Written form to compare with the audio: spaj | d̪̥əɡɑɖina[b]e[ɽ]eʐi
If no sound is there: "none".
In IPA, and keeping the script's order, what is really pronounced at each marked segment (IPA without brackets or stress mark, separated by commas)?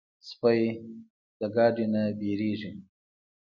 b, ɾ